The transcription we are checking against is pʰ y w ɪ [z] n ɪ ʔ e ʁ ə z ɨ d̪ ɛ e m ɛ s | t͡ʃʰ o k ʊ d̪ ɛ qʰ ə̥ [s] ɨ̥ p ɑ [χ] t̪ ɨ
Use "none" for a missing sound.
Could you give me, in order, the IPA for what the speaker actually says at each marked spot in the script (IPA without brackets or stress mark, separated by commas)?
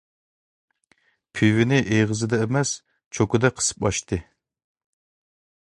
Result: none, s, ʃ